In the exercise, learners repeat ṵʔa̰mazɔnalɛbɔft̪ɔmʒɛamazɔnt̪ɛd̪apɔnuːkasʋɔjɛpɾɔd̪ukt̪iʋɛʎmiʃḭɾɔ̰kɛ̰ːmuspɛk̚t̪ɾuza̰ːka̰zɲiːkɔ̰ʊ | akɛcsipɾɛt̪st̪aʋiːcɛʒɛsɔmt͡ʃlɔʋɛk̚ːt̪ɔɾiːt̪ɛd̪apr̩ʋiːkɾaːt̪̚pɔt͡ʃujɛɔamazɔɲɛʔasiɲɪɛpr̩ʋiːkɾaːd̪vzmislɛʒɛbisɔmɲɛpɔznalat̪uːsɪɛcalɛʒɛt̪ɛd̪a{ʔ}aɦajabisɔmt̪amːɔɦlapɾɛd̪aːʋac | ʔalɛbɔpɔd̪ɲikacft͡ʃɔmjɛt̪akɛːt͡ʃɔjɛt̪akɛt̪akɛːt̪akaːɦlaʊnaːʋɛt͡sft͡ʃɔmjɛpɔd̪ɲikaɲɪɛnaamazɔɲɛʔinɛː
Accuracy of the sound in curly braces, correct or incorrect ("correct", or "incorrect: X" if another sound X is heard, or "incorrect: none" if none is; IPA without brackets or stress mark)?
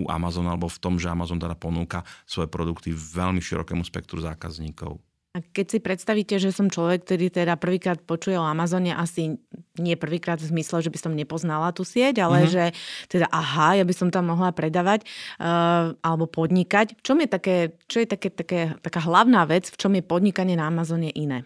correct